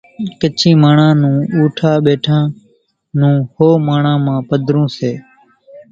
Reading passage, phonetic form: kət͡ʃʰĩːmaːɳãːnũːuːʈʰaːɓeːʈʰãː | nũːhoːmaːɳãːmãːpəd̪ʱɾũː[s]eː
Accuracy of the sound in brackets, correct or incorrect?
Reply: correct